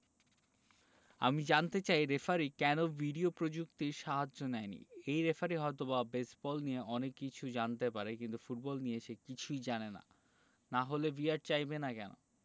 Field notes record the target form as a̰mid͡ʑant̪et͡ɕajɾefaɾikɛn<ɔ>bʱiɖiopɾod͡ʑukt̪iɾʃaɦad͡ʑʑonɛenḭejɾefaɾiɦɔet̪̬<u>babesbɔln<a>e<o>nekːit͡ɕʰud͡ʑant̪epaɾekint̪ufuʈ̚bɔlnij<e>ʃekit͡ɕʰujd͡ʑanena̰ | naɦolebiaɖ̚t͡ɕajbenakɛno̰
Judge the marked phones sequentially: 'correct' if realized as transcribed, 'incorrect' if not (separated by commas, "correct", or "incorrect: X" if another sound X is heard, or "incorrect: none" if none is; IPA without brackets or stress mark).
incorrect: o, incorrect: o, incorrect: i, incorrect: ɔ, correct